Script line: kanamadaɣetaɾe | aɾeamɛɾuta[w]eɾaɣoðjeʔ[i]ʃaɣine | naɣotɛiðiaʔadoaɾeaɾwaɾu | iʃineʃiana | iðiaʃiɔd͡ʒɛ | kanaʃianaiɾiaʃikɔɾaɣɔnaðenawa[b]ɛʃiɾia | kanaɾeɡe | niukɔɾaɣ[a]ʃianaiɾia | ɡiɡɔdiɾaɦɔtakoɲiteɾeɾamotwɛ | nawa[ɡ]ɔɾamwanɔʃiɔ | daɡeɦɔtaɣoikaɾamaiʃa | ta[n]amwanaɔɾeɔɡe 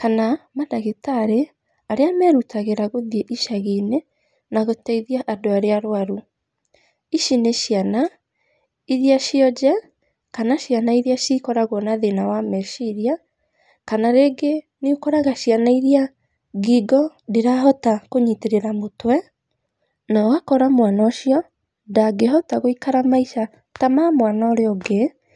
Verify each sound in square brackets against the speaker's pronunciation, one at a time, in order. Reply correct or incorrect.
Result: incorrect, correct, incorrect, correct, incorrect, incorrect

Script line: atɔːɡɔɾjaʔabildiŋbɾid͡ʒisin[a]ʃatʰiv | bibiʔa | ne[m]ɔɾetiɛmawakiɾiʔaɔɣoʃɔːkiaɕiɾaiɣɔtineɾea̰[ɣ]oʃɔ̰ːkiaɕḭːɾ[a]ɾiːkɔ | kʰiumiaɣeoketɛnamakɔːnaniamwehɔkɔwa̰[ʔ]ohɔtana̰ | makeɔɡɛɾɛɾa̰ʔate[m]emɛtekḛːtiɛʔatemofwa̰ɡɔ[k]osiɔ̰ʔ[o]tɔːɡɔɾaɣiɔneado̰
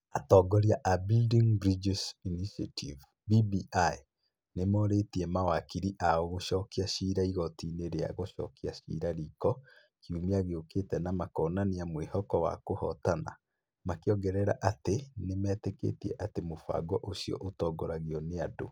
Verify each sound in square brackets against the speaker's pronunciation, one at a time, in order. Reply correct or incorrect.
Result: incorrect, correct, correct, correct, incorrect, incorrect, incorrect, correct

